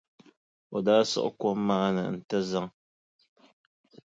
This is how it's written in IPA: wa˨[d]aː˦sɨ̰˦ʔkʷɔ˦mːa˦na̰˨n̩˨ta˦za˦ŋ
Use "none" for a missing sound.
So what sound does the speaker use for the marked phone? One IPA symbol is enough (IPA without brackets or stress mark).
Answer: d